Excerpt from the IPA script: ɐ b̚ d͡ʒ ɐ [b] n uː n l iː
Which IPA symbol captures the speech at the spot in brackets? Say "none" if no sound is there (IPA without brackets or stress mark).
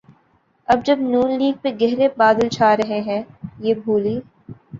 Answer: b